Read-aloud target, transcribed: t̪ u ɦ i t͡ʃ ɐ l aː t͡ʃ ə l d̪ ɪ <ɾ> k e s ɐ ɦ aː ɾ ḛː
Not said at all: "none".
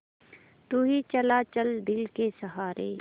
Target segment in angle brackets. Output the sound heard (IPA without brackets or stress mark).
l